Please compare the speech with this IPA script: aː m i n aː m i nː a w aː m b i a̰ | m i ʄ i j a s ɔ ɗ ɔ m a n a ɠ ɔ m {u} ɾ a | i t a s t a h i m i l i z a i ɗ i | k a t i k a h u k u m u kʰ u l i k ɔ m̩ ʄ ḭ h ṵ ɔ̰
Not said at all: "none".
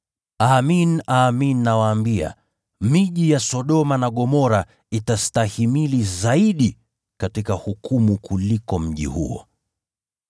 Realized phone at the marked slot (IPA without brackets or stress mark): ɔ